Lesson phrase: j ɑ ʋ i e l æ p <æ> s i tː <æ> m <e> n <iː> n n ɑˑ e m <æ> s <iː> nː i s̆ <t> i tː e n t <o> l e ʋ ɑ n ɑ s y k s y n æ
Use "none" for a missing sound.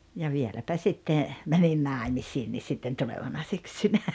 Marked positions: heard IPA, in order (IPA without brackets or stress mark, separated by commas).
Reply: æ, e, æ, i, i, iː, s, u